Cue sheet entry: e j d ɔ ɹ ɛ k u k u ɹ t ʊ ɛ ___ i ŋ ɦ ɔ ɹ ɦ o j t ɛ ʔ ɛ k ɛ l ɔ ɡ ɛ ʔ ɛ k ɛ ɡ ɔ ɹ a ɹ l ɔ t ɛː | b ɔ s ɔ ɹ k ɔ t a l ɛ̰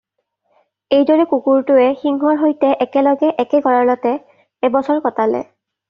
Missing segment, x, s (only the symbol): x